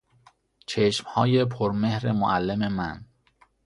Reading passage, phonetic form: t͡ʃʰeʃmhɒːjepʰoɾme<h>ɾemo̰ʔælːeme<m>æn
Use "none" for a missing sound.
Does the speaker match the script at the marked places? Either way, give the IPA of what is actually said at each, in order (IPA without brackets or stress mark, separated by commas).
h, m